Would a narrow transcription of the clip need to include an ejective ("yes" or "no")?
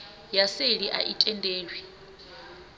yes